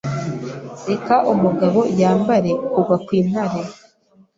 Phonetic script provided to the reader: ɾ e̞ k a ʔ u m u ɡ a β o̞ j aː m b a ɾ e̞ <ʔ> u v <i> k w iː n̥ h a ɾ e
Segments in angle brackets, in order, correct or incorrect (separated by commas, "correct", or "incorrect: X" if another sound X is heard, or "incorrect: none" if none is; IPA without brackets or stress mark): incorrect: k, incorrect: a